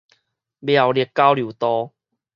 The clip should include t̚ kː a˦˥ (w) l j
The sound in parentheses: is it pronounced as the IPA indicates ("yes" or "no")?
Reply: yes